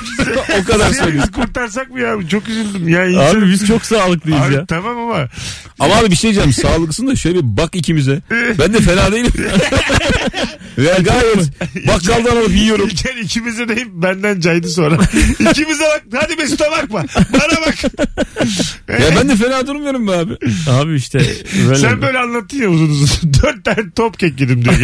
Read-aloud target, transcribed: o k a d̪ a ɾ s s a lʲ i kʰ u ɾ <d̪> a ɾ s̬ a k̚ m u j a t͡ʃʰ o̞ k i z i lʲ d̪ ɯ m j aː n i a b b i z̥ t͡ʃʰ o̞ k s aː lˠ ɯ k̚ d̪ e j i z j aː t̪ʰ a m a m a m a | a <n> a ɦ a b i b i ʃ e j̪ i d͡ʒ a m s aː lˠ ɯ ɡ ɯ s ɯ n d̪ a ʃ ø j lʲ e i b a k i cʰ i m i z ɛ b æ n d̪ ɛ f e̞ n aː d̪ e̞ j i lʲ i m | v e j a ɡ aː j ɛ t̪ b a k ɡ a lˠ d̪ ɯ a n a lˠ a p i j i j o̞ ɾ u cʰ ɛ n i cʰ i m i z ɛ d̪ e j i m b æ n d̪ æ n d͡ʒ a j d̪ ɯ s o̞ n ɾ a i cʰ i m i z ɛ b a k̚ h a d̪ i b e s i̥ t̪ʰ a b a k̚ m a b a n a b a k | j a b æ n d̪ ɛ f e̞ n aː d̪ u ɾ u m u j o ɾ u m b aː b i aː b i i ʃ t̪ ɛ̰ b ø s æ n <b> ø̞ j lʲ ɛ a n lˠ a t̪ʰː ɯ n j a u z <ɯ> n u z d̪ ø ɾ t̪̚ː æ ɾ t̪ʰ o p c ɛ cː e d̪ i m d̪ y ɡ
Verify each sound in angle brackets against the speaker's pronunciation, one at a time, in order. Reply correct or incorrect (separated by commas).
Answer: incorrect, incorrect, correct, incorrect